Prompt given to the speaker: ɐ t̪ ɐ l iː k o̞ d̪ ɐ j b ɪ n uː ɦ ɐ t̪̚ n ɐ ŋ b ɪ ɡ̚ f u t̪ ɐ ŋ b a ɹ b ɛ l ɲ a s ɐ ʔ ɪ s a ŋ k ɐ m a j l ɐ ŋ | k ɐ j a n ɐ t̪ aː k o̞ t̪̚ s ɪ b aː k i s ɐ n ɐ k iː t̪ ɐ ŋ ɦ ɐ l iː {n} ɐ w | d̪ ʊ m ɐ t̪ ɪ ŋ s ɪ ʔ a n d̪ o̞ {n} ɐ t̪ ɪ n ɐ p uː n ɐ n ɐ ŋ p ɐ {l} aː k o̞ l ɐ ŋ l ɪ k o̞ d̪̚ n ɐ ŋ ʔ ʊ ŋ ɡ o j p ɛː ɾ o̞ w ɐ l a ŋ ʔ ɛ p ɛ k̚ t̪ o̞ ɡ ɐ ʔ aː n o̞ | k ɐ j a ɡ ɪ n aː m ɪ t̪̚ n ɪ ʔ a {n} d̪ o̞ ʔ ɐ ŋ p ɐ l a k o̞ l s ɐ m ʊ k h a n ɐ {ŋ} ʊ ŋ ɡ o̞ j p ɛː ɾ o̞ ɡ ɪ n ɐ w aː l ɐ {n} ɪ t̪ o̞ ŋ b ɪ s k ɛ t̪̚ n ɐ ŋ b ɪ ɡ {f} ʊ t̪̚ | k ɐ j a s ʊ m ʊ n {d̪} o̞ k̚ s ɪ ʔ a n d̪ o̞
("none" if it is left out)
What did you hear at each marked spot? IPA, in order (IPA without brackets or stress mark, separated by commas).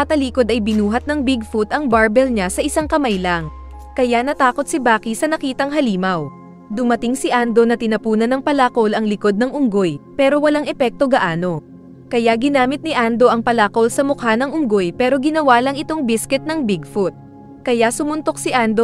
m, n, l, n, ŋ, ŋ, f, t̪